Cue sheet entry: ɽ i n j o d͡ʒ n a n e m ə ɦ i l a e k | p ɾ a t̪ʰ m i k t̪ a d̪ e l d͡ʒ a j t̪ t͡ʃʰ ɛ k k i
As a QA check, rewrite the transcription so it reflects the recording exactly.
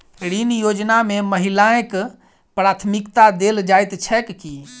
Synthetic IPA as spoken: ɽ i n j o d͡ʒ n a m e m ə ɦ i l a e k | p ɾ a t̪ʰ m i k t̪ a d̪ e l d͡ʒ a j t̪ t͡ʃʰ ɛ k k i